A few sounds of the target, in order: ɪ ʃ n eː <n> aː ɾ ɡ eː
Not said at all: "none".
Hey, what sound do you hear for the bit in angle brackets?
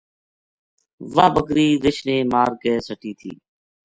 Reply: m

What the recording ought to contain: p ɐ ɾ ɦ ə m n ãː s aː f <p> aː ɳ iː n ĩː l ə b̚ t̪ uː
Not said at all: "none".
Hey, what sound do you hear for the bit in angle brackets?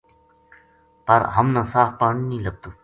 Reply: p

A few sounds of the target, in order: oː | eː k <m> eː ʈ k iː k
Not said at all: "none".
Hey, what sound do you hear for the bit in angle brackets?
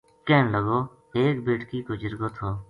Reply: b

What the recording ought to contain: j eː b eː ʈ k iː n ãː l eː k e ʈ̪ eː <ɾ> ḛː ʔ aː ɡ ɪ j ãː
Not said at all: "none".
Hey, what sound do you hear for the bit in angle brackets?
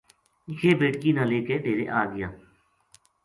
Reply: ɾ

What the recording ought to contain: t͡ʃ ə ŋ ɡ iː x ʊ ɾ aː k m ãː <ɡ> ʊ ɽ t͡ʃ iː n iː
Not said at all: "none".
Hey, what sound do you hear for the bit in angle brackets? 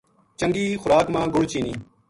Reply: ɡ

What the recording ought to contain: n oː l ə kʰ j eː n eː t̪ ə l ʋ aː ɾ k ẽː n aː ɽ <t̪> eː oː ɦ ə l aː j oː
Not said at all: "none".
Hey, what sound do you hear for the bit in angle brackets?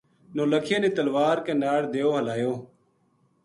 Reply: d̪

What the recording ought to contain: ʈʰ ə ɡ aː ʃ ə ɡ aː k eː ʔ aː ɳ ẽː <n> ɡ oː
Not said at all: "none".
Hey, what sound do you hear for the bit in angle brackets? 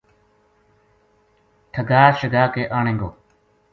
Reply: ŋ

